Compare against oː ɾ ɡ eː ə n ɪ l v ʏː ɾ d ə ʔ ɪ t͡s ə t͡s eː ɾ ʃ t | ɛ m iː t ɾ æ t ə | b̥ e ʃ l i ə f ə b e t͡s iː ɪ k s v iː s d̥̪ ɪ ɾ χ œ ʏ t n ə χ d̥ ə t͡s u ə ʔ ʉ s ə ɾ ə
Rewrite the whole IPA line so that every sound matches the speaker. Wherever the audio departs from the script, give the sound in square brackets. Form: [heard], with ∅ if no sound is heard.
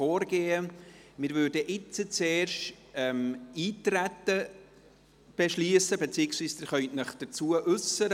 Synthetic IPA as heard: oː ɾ ɡ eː ə [m] ɪ [ɾ] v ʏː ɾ d ə ʔ ɪ t͡s ə t͡s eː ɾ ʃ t | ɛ m iː t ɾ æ t ə | b̥ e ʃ l i ə [s] ə b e t͡s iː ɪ k s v iː s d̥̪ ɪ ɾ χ œ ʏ t n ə χ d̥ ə t͡s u ə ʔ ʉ s ə ɾ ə